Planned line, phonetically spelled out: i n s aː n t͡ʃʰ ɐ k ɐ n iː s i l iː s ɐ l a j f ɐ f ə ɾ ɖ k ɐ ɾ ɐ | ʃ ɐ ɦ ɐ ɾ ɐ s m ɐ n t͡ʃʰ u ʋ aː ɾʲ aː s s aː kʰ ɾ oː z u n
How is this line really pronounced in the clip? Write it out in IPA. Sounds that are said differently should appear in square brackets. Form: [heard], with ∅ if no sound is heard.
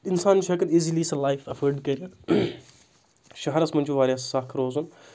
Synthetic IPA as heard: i n s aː n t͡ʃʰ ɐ k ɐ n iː [z] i l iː s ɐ l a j f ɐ f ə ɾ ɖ k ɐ ɾ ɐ | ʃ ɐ ɦ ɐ ɾ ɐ s m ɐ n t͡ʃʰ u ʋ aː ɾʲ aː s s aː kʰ ɾ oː z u n